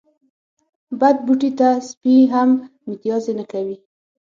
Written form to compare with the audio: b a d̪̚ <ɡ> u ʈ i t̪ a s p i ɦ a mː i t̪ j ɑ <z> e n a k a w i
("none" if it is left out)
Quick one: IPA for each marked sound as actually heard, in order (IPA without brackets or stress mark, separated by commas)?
b, z